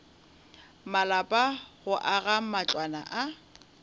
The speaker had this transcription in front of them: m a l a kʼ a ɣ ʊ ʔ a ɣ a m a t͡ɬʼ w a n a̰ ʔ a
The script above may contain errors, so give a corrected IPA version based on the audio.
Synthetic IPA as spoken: m a l a pʼ a ɣ ʊ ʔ a ɣ a m a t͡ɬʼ w a n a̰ ʔ a